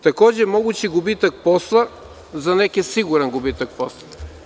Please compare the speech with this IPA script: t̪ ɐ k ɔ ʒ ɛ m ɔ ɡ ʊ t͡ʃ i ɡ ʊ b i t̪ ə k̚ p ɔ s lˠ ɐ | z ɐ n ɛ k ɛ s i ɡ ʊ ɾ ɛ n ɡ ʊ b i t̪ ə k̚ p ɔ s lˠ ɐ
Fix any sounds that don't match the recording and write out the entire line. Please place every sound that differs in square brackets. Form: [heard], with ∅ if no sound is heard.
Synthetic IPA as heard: t̪ ɐ k ɔ ʒ ɛ m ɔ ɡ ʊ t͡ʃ i ɡ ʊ b i t̪ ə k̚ p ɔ s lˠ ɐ | z ɐ n ɛ k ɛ s i ɡ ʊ ɾ ɛ n ɡ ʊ b i t̪ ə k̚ p ɔ s lˠ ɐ